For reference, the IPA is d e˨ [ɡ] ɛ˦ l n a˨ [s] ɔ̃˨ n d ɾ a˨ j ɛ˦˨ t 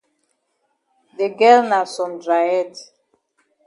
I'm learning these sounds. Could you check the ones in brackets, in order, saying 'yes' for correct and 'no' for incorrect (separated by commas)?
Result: yes, yes